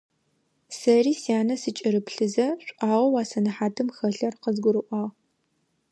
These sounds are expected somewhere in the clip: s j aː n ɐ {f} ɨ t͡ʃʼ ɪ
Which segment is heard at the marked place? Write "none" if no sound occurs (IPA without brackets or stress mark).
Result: s